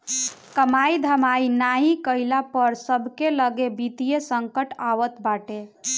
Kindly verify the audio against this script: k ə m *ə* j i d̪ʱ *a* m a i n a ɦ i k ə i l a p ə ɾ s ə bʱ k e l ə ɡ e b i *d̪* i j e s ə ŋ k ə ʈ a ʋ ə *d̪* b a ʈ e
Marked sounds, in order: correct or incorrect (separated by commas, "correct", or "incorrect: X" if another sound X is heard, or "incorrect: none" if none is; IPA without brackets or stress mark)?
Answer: incorrect: a, incorrect: ə, incorrect: t̪, incorrect: t̪